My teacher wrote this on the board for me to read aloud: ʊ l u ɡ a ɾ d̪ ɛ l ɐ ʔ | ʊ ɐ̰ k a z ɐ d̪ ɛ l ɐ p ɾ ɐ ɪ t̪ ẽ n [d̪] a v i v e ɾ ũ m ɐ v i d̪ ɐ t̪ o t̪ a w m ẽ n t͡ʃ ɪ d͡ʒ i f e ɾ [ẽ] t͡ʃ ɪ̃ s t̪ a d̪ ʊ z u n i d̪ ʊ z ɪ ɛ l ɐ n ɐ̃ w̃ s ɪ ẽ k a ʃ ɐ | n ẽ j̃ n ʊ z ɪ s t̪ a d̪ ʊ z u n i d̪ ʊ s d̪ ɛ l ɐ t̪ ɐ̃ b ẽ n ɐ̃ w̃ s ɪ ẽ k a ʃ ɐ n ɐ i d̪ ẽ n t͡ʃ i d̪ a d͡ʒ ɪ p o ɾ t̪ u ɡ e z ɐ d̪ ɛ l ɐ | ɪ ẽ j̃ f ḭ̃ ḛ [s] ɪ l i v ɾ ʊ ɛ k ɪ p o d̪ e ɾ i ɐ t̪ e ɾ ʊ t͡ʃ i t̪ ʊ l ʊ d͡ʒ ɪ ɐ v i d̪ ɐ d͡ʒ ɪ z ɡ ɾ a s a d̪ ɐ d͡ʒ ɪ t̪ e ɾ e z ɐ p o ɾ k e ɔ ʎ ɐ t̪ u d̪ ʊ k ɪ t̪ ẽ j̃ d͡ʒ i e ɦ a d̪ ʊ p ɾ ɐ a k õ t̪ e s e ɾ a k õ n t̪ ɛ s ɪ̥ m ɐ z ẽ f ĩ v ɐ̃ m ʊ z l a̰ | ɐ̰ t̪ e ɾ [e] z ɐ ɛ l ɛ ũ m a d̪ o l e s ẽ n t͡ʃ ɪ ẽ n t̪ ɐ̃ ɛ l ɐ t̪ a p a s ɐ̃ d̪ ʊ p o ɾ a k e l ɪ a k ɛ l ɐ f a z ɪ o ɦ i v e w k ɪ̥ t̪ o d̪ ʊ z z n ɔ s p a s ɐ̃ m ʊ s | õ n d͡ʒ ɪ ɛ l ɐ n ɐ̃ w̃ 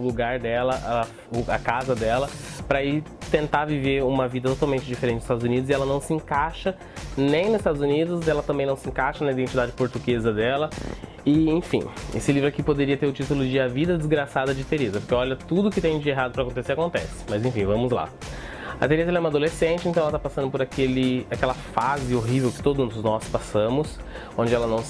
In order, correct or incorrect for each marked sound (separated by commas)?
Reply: incorrect, correct, correct, correct